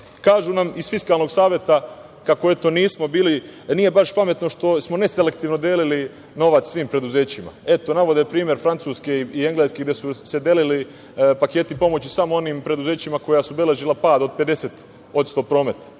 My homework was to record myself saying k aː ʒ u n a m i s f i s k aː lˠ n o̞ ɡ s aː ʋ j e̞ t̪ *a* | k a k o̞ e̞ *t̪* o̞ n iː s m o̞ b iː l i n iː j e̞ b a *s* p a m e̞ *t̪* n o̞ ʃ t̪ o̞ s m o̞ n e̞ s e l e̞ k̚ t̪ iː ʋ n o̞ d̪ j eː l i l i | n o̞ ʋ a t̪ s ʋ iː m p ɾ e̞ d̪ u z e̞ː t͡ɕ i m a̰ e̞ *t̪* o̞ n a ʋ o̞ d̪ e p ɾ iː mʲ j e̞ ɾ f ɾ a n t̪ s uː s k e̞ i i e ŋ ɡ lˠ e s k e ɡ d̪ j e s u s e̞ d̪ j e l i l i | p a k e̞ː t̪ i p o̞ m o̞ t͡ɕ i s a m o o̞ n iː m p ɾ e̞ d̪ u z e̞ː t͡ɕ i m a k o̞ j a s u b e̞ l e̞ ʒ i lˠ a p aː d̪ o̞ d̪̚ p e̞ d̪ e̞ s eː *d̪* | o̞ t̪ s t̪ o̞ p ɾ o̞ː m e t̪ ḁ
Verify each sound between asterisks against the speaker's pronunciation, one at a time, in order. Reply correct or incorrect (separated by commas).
correct, correct, incorrect, correct, correct, incorrect